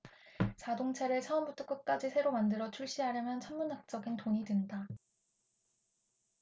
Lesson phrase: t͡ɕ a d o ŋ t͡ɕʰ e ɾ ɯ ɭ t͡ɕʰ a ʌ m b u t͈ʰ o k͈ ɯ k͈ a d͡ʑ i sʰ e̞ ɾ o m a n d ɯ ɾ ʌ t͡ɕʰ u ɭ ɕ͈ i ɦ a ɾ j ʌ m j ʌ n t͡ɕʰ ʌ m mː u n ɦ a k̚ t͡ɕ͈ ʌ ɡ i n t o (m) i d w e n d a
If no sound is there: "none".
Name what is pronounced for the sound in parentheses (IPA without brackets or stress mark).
ɲ